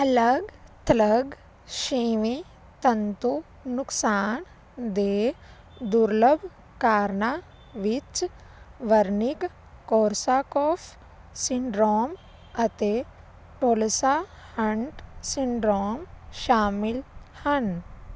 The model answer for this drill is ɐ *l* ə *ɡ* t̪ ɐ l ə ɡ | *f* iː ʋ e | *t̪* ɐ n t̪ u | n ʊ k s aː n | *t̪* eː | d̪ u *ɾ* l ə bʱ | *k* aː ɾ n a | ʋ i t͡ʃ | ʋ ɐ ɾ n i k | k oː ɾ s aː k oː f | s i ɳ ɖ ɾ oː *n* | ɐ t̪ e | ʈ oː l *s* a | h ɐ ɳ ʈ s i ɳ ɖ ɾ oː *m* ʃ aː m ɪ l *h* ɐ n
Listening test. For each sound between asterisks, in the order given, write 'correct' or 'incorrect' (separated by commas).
correct, correct, incorrect, correct, incorrect, correct, correct, incorrect, correct, correct, correct